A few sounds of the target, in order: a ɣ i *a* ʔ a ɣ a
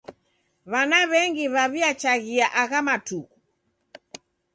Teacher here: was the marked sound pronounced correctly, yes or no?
yes